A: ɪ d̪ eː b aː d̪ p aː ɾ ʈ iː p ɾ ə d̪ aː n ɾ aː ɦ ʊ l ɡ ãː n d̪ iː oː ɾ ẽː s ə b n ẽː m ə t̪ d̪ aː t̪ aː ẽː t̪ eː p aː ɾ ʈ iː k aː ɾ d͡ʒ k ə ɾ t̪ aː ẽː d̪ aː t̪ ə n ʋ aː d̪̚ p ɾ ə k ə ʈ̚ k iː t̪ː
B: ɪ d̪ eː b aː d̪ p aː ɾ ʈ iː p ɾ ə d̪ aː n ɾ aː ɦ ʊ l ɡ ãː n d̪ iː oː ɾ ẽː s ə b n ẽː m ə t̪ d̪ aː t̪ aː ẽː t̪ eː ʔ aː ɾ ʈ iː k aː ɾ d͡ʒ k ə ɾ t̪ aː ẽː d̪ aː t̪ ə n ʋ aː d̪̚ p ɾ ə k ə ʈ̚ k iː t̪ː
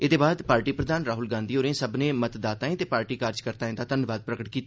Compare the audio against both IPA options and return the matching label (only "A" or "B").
A